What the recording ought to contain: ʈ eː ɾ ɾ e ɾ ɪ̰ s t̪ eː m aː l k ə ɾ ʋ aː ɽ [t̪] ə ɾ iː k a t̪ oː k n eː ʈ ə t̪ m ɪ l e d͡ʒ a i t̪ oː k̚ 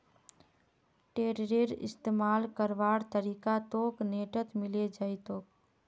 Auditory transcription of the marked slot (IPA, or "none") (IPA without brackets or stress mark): t̪